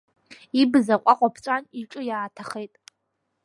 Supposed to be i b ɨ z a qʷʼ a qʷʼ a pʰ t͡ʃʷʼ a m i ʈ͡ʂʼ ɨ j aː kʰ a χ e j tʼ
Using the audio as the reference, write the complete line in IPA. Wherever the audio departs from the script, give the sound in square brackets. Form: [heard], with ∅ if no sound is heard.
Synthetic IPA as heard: i b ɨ z a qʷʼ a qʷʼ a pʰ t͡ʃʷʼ a [n] i ʈ͡ʂʼ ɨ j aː [tʰ] a χ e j tʼ